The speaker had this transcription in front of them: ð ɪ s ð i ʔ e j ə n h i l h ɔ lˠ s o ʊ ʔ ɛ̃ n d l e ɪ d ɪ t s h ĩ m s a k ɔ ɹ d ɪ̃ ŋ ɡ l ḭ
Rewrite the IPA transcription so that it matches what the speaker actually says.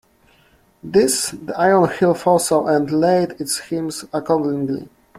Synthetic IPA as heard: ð ɪ s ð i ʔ a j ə n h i l f ɔ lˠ s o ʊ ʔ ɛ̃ n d l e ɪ d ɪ t s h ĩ m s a k ɔ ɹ d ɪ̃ ŋ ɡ l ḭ